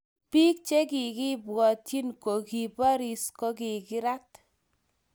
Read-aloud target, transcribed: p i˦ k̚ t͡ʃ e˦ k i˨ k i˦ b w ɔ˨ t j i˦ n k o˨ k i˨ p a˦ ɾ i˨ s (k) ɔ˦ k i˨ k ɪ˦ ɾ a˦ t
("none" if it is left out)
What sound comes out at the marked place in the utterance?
k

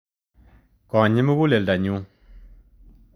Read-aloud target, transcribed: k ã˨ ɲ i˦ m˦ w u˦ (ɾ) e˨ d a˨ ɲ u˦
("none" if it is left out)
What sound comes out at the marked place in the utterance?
l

